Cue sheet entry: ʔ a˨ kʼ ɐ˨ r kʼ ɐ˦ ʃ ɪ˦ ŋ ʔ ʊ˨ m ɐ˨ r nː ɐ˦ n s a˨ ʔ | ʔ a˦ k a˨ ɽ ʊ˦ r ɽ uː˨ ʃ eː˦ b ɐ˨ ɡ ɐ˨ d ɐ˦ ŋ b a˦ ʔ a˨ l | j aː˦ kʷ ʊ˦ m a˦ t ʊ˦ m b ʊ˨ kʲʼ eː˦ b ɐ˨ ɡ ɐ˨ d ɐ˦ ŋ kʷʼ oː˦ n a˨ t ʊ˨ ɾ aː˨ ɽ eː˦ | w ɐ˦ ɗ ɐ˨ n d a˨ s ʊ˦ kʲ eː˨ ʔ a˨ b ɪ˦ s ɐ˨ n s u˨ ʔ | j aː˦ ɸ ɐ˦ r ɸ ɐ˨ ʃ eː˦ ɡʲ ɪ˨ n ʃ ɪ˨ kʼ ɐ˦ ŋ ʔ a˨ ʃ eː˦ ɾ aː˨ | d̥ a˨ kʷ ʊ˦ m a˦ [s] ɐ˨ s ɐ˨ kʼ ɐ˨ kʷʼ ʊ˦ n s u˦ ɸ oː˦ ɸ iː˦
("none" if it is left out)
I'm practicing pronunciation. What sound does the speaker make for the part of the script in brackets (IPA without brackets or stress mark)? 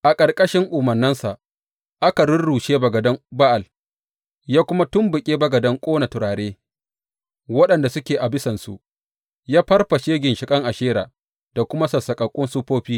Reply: s